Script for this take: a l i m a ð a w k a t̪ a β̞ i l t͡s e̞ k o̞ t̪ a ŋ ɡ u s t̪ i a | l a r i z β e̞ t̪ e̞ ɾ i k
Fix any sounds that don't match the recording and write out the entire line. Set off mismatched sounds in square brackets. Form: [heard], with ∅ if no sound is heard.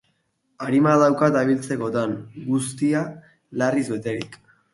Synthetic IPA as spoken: a [ɾ] i m a ð a w k a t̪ a β̞ i l t͡s e̞ k o̞ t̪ a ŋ ɡ u s t̪ i a | l a r i z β e̞ t̪ e̞ ɾ i k